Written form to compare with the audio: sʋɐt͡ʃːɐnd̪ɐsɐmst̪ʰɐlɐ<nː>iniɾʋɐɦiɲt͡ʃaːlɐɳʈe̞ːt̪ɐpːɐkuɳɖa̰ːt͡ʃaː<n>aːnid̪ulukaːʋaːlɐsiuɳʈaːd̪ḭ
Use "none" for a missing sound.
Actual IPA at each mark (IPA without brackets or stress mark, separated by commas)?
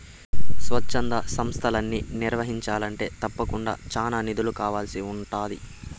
nː, n